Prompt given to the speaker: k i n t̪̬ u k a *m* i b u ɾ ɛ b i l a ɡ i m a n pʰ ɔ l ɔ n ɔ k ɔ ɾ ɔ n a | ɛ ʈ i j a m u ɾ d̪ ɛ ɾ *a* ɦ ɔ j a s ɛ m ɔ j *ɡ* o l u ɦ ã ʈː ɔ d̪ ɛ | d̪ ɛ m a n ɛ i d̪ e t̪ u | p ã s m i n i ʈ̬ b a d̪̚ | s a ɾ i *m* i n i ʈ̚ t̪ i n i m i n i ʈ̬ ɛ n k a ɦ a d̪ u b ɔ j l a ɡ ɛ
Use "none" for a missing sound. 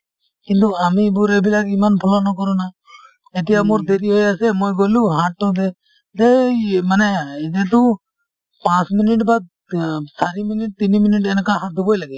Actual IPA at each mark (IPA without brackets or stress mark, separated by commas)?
m, i, ɡ, m